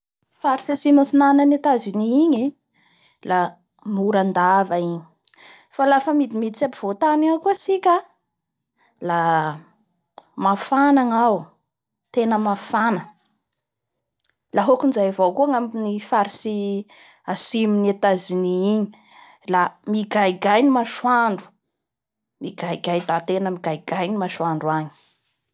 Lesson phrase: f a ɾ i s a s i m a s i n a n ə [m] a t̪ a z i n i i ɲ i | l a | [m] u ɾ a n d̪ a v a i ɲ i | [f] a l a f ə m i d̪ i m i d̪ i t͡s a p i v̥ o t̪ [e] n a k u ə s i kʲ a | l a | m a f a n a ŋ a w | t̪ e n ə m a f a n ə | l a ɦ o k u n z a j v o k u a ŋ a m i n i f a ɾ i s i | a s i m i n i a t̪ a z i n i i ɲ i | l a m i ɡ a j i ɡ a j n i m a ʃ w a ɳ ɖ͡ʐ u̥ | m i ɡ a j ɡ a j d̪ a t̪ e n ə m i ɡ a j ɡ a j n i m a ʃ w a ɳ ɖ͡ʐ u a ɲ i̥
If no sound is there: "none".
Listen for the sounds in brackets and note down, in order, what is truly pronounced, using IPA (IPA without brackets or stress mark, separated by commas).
n, m, f, a